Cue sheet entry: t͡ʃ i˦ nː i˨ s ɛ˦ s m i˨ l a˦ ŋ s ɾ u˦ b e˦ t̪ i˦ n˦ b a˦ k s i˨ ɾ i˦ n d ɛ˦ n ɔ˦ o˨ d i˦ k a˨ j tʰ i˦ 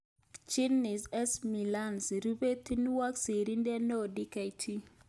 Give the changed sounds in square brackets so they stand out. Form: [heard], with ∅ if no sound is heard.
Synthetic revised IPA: t͡ʃ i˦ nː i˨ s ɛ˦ s m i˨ l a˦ [n] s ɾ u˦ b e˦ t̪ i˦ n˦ [w] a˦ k s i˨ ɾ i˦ n d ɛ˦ n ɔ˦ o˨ d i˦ k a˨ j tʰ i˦